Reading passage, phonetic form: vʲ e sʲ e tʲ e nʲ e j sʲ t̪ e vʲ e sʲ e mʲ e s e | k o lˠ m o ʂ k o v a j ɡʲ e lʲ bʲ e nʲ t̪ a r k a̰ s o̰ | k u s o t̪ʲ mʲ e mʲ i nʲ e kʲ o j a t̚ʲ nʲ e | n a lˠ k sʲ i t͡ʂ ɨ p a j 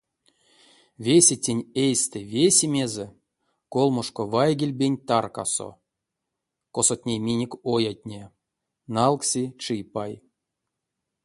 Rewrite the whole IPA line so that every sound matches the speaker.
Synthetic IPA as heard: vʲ e sʲ e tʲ e nʲ e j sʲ t̪ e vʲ e sʲ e mʲ e z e | k o lˠ m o ʂ k o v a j ɡʲ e lʲ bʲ e nʲ t̪ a r k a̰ s o̰ | k o s o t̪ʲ nʲ e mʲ i nʲ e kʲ o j a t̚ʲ nʲ e | n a lˠ k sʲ i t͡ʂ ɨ p a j